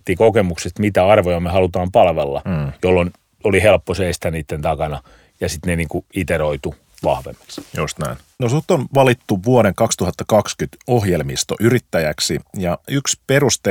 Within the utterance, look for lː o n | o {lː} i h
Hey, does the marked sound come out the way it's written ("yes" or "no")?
no